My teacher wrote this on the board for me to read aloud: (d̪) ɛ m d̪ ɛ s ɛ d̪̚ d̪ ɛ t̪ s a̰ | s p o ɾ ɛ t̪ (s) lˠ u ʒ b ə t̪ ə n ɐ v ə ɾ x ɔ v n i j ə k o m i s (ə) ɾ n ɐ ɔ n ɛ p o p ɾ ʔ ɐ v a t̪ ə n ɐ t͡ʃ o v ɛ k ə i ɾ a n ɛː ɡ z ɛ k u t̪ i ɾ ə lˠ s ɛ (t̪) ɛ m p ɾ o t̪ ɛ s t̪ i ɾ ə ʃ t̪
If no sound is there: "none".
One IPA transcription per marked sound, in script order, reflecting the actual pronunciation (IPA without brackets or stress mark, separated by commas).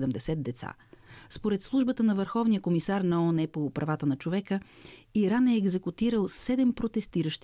d̪, s, a, d̪